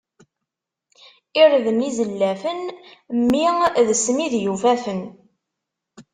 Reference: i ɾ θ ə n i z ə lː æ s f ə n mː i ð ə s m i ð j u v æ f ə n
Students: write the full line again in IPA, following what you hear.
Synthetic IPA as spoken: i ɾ ð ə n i z ə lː æ f ə n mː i ð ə s m i ð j u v æ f ə n

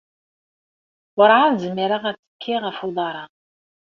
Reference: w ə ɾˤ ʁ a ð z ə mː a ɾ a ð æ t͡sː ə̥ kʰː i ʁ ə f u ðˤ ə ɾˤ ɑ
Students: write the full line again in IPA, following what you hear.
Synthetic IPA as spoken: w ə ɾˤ ʕ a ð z ə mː i ɾ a ʁ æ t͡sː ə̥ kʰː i ʁ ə f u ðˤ ɑ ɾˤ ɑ

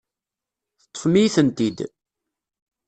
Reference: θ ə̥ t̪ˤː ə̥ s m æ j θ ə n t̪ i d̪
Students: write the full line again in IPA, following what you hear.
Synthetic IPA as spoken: θ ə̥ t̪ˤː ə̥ f m i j θ ə n t̪ i d̪

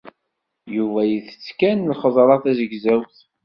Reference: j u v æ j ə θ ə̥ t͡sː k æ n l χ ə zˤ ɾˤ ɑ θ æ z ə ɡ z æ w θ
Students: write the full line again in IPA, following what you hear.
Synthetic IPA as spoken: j u v æ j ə θ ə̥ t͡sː k æ n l χ ə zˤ ɾˤ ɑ θ æ z ə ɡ z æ w θ

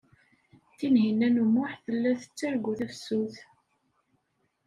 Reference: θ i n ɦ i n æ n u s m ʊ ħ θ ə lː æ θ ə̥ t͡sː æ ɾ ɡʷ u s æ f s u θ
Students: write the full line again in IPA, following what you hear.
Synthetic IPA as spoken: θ i n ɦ i n æ n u m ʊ ħ θ ə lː æ θ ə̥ t͡sː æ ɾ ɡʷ u θ æ f s u θ

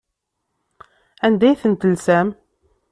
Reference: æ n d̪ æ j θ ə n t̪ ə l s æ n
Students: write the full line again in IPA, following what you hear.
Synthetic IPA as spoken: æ n d̪ æ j θ ə n t̪ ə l s æ m

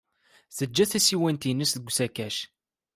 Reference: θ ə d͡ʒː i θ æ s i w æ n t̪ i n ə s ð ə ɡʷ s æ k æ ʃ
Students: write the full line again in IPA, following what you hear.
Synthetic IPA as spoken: θ ə d͡ʒː æ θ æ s i w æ n t̪ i n ə s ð ə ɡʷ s æ k æ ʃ

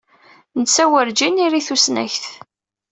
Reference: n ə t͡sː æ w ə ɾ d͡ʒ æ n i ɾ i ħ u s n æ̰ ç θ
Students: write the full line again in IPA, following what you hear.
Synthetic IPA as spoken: n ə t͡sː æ w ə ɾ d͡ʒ i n i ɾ i θ u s n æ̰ ç θ

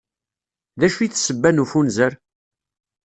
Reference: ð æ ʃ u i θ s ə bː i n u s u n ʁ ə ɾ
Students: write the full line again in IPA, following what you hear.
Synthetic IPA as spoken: ð æ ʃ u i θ s ə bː æ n u f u n z ə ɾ

